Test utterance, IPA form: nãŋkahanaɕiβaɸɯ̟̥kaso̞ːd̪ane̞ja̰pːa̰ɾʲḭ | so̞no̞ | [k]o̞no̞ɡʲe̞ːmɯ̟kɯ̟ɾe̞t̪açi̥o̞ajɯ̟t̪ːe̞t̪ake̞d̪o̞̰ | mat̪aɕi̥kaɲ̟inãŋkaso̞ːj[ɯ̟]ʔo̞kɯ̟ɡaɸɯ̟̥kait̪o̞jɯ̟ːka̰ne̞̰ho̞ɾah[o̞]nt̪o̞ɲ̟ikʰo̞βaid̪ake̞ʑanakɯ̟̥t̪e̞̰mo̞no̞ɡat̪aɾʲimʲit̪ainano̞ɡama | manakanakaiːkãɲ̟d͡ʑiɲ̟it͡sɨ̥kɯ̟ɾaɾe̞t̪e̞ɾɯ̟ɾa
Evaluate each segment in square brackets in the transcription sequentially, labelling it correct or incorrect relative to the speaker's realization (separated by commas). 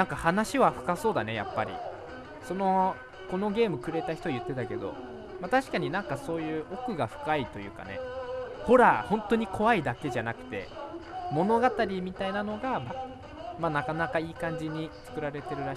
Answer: correct, incorrect, incorrect